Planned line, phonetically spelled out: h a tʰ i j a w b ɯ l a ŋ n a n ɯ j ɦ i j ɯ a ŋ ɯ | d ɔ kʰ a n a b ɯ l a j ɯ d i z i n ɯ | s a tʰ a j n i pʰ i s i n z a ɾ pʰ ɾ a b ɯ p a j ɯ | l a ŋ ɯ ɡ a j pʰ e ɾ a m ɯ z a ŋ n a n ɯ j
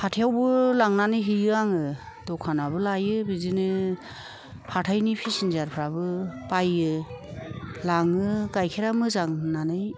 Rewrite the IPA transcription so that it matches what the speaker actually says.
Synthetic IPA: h a tʰ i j a w b ɯ l a ŋ n a n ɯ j ɦ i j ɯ a ŋ ɯ | d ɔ kʰ a n a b ɯ l a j ɯ b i z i n ɯ | h a tʰ a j n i pʰ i s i n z a ɾ pʰ ɾ a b ɯ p a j ɯ | l a ŋ ɯ ɡ a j kʰ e ɾ a m ɯ z a ŋ n a n ɯ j